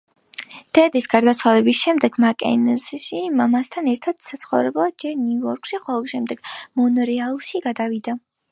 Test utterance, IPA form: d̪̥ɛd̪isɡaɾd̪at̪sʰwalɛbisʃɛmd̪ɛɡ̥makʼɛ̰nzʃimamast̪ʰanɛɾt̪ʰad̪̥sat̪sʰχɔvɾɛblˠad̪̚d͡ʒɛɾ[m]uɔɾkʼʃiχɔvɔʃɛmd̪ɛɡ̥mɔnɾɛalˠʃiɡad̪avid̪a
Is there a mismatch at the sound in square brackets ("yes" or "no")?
yes